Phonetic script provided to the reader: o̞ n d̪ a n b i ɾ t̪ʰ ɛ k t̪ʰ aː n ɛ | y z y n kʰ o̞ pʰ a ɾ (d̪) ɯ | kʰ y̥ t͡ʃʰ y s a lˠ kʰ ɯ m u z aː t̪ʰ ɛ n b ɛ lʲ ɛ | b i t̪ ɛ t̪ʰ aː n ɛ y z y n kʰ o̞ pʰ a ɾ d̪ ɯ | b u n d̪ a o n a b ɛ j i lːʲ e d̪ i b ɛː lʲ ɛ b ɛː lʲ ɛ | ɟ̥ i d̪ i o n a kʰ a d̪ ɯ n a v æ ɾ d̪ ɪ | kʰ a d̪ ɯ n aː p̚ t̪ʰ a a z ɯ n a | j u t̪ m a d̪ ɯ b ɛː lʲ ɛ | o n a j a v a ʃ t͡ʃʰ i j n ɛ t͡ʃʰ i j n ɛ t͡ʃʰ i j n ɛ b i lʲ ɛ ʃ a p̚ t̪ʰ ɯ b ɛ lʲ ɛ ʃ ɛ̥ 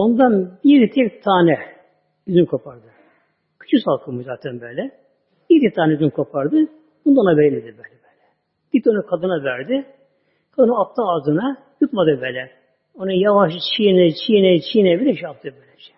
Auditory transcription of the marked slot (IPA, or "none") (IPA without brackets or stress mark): d̪